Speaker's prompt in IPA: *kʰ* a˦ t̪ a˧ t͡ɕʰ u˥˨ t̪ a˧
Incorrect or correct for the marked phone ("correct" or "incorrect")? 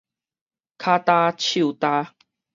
correct